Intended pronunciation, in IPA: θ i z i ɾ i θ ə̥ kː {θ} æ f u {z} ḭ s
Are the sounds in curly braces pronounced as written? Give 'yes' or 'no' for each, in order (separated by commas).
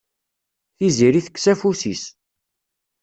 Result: no, no